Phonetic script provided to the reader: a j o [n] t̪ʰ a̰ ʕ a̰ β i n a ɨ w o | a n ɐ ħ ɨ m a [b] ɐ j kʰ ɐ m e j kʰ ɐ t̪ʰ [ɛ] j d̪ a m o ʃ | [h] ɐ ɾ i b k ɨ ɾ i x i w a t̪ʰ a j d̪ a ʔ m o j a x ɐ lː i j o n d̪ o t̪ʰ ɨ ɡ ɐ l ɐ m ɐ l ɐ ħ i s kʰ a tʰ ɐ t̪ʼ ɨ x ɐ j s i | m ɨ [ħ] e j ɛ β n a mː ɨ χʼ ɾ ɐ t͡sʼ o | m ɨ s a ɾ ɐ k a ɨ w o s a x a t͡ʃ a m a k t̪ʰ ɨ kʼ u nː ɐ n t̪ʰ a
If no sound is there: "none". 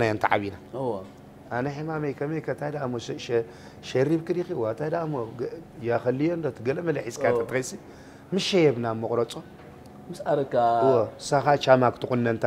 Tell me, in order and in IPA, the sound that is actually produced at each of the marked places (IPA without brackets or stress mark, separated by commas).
n, m, a, ʃ, ʃ